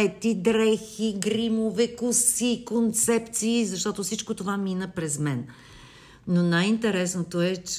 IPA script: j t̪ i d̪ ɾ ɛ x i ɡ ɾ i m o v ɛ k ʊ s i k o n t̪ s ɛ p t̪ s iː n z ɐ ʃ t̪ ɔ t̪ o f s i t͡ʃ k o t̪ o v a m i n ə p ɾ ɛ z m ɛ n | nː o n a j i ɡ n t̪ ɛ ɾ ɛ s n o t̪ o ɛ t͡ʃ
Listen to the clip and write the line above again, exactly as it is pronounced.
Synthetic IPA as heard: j t̪ i d̪ ɾ ɛ x i ɡ ɾ i m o v ɛ k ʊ s i k o n t̪ s ɛ p t̪ s iː z ɐ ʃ t̪ ɔ t̪ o f s i t͡ʃ k o t̪ o v a m i n ə p ɾ ɛ z m ɛ n | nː o n a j i n t̪ ɛ ɾ ɛ s n o t̪ o ɛ t͡ʃ